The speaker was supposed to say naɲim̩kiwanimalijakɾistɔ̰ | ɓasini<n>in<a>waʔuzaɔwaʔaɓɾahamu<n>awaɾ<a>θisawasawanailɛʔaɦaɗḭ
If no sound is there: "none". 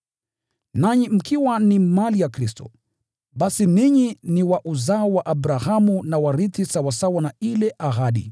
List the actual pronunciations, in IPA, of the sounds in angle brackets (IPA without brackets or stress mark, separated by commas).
ɲ, i, n, i